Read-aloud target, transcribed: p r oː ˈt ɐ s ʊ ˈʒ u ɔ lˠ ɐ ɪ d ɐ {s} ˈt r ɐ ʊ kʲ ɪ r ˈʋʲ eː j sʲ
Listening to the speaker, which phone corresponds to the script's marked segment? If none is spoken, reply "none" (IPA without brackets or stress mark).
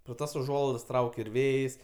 s